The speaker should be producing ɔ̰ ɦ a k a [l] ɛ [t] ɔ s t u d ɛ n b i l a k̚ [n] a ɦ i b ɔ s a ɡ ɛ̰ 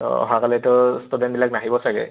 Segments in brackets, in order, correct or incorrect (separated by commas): correct, correct, correct